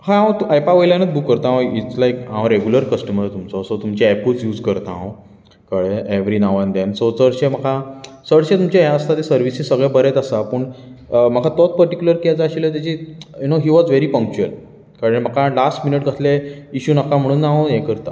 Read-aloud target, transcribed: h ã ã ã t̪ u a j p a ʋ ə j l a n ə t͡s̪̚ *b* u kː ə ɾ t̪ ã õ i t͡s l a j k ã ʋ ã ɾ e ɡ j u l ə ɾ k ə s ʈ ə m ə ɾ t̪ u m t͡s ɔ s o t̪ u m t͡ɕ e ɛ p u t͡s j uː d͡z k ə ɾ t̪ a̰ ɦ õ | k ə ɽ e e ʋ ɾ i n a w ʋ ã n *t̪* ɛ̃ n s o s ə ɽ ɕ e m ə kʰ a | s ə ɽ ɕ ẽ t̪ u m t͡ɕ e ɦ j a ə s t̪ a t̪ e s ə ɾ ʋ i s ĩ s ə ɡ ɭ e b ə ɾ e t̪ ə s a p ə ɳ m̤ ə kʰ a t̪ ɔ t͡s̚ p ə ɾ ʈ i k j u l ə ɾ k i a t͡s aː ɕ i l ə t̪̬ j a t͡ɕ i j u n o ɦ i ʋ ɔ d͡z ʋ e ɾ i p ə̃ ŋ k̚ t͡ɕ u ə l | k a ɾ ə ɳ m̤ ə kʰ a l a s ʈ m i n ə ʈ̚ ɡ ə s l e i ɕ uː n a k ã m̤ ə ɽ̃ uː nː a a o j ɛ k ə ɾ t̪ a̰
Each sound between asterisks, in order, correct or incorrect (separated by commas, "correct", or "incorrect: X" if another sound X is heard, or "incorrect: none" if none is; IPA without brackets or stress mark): correct, incorrect: d̪